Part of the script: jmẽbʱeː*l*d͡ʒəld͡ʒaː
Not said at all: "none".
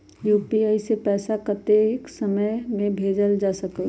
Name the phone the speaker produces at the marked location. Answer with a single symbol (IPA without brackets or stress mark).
none